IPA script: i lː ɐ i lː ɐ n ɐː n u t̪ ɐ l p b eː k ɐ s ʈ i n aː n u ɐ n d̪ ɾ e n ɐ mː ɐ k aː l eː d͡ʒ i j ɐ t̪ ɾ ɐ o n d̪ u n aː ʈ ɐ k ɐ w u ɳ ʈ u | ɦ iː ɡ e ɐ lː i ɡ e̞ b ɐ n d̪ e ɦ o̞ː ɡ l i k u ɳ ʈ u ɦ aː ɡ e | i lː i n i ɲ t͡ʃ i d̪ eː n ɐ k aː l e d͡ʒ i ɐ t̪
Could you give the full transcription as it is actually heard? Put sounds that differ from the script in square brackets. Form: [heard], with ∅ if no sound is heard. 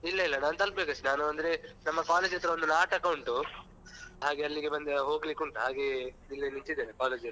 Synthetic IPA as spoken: i lː ɐ i lː ɐ n [aː] n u t̪ ɐ l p b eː k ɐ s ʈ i n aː n u ɐ n d̪ ɾ e n ɐ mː ɐ k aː l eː d͡ʒ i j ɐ t̪ ɾ ɐ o n d̪ u n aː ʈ ɐ k ɐ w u ɳ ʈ u | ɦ [aː] ɡ e ɐ lː i ɡ e̞ b ɐ n d̪ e ɦ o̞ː ɡ l i k u ɳ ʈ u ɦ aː ɡ e | i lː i n i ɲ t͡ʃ i d̪ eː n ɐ k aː l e d͡ʒ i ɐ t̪